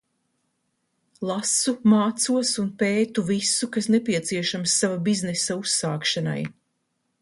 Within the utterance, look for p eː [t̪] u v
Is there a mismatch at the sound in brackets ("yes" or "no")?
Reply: no